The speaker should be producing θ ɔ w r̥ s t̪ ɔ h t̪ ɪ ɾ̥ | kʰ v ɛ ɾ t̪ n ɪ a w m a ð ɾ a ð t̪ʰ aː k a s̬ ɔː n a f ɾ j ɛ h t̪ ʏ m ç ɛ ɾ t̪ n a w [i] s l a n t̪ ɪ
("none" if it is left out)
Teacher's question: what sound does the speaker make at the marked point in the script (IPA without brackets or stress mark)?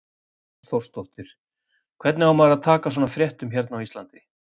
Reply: i